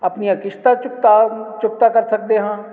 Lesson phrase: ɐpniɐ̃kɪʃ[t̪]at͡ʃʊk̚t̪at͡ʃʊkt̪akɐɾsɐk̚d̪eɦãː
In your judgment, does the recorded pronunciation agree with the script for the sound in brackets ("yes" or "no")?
yes